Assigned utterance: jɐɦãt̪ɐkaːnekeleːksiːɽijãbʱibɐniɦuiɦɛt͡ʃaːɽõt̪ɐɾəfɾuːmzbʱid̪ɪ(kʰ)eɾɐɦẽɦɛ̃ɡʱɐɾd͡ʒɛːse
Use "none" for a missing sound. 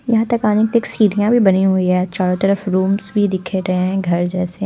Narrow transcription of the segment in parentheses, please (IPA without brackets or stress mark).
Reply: kʰ